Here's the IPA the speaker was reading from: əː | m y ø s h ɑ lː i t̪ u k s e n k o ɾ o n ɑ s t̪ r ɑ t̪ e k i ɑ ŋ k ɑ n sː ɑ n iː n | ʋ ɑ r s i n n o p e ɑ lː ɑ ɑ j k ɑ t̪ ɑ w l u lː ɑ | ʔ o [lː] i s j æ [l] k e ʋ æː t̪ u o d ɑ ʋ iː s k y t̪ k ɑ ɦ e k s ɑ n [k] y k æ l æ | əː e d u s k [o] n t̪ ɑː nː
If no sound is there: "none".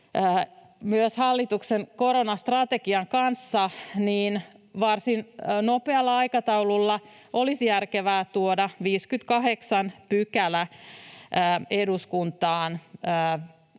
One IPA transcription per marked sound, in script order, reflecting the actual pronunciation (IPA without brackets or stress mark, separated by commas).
l, r, p, u